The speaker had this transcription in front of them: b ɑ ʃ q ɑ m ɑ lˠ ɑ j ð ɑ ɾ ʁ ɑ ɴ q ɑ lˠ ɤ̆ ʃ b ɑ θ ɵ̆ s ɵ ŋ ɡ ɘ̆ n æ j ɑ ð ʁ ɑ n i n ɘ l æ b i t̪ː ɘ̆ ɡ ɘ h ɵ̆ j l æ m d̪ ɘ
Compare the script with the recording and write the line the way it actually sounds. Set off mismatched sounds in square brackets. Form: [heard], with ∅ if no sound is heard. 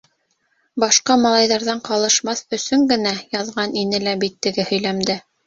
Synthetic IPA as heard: b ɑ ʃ q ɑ m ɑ lˠ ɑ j ð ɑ ɾ [ð] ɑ ɴ q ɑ lˠ ɤ̆ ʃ [m] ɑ θ ɵ̆ s ɵ ŋ ɡ ɘ̆ n æ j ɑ ð ʁ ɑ n i n ɘ l æ b i t̪ː ɘ̆ ɡ ɘ h ɵ̆ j l æ m d̪ ɘ